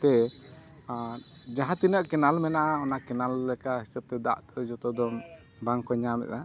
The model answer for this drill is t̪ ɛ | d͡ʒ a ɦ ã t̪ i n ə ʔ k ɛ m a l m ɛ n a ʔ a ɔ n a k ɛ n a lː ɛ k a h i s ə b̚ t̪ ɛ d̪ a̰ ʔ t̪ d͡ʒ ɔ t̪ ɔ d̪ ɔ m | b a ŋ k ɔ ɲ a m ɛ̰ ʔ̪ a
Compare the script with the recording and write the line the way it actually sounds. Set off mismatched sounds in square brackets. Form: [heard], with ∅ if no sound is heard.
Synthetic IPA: t̪ ɛ | d͡ʒ a ɦ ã t̪ i n ə ʔ k ɛ [n] a l m ɛ n a ʔ a ɔ n a k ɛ n a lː ɛ k a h i s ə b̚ t̪ ɛ d̪ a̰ ʔ t̪ d͡ʒ ɔ t̪ ɔ d̪ ɔ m | b a ŋ k ɔ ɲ a m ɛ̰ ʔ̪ a

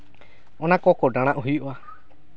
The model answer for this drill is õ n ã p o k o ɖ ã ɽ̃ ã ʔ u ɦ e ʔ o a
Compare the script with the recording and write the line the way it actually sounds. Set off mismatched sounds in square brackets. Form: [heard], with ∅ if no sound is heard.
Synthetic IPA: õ n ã [k] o k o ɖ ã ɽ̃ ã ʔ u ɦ [i] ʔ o a

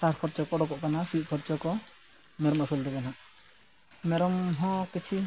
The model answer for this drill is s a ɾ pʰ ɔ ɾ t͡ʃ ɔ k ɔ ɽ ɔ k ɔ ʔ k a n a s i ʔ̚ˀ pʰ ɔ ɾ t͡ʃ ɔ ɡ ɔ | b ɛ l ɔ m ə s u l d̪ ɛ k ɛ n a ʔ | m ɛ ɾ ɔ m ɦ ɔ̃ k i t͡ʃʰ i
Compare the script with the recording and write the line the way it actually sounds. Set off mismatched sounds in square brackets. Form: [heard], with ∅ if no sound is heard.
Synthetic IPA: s a ɾ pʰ ɔ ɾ t͡ʃ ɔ k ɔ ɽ ɔ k ɔ ʔ k a n a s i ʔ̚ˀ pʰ ɔ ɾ t͡ʃ ɔ [k] ɔ | [m] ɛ [ɾ] ɔ m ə s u l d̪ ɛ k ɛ n a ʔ | m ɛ ɾ ɔ m ɦ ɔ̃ k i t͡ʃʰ i

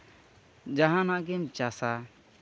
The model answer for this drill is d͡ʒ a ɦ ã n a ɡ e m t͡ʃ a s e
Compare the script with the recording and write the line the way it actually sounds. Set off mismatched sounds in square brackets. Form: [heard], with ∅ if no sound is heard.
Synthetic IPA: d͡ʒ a ɦ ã n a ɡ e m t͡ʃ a s [a]

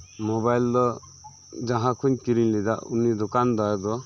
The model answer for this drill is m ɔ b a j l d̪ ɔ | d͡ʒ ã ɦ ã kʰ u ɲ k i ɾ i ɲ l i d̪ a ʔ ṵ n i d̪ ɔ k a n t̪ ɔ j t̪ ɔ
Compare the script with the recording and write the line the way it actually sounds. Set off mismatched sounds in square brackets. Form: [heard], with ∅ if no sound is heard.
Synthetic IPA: m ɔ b a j l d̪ ɔ | d͡ʒ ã ɦ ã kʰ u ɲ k i ɾ i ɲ l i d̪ a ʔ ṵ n i d̪ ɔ k a n [d̪] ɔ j [d̪] ɔ

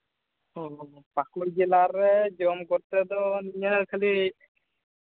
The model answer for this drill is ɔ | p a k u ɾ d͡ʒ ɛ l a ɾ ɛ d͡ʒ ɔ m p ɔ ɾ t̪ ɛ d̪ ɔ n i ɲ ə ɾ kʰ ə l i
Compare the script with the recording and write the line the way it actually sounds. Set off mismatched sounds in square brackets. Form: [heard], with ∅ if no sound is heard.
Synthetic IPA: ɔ | p a k u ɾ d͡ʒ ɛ l a ɾ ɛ d͡ʒ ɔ m [k] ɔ ɾ t̪ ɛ d̪ ɔ n i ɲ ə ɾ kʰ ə l i

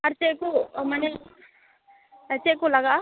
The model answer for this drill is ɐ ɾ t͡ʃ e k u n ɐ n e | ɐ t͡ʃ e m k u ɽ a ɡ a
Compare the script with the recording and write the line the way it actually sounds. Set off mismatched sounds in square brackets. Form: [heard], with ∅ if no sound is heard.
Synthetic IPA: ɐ ɾ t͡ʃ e k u [m] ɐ n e | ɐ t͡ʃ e [∅] k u [l] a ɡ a

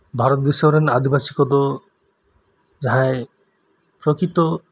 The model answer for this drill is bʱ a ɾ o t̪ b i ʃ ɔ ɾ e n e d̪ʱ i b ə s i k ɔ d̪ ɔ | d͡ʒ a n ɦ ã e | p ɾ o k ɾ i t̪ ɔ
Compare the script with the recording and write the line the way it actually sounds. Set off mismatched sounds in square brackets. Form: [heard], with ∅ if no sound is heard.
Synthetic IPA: bʱ a ɾ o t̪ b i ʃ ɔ ɾ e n [a] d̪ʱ i b [a] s i k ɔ d̪ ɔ | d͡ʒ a [∅] ɦ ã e | p ɾ o k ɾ i t̪ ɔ

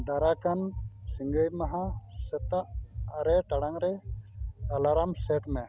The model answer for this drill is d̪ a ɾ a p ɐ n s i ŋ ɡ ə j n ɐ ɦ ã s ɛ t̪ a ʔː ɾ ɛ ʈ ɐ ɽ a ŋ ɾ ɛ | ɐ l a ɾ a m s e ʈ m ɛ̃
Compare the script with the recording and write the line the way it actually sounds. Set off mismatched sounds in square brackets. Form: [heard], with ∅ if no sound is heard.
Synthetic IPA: d̪ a ɾ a [k] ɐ n s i ŋ ɡ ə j [m] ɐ ɦ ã s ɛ t̪ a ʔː ɾ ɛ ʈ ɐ ɽ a ŋ ɾ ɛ | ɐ l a ɾ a m s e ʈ m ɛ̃

